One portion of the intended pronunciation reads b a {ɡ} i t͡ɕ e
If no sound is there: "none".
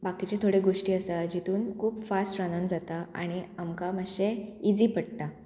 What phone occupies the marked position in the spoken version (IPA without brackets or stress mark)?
k